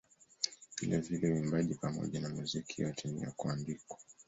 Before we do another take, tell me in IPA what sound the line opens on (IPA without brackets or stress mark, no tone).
v